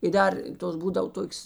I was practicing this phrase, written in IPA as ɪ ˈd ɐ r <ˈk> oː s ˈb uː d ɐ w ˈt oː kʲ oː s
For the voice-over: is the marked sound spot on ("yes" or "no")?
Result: no